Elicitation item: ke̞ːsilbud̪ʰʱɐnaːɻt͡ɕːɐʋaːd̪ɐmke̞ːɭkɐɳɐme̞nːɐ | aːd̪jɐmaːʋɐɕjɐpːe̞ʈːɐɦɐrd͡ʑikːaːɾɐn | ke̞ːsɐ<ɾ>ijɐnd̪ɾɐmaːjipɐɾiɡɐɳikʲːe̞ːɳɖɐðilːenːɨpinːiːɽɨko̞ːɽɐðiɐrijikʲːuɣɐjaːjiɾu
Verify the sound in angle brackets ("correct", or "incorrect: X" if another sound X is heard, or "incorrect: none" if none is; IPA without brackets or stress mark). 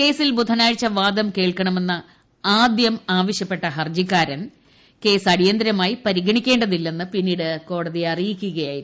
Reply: incorrect: ɽ